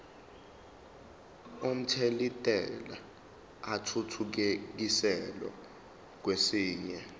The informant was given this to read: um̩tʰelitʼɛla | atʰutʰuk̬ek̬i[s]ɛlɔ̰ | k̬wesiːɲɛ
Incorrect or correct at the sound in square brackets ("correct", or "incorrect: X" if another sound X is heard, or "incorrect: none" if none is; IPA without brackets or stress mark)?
correct